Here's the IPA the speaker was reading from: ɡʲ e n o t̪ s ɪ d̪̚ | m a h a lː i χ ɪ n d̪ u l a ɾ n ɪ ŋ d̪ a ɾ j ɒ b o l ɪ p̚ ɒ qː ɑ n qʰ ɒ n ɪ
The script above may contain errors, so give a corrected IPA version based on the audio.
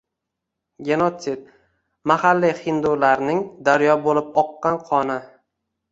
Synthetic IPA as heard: ɡʲ e n o t̪ s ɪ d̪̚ | m a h a lː i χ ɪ n d̪ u l a ɾ n ɪ ŋ d̪ a ɾ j ɒ b o l ɪ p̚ ɒ qː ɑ n qʰ ɒ n ɪ